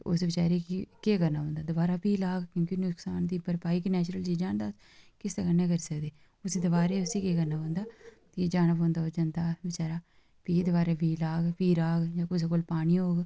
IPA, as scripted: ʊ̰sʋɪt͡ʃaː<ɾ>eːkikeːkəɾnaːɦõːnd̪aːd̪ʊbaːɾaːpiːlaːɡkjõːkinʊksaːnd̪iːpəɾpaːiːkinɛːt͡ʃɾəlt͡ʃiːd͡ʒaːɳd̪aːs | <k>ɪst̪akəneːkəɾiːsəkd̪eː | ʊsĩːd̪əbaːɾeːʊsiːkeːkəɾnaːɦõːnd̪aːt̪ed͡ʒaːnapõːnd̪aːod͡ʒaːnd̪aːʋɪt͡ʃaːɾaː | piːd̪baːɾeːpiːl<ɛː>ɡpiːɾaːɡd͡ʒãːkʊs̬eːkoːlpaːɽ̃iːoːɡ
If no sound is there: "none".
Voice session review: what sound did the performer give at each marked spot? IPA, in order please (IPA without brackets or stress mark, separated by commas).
ɾ, k, aː